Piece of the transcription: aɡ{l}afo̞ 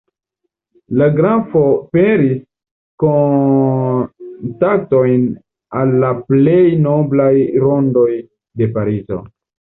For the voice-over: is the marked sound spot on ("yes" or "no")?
no